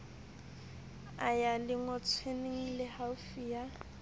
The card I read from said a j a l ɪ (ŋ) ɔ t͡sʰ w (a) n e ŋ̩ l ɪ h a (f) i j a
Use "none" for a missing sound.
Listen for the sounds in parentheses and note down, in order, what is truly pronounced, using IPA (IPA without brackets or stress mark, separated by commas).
ŋ, e, f